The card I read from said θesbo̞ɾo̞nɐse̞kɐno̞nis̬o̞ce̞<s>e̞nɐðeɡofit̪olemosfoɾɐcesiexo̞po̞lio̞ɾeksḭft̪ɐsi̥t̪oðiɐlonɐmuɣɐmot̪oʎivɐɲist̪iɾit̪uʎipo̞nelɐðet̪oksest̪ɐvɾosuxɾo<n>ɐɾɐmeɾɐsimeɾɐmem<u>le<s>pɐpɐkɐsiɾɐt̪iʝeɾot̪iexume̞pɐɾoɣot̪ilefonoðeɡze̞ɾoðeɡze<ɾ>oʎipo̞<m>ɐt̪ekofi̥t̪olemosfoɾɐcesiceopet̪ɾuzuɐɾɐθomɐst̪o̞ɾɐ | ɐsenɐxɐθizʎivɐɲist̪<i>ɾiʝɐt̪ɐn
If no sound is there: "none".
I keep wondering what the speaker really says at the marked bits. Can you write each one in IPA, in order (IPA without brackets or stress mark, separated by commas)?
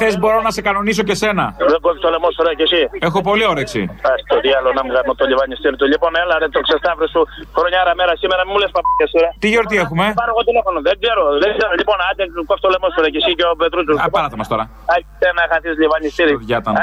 s, ɲ, u, s, ɾ, n, i